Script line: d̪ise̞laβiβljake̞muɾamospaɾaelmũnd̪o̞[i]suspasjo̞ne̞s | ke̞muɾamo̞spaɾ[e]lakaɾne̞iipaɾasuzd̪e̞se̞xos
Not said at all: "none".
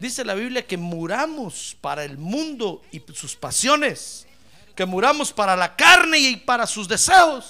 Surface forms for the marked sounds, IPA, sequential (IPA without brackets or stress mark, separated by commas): i, a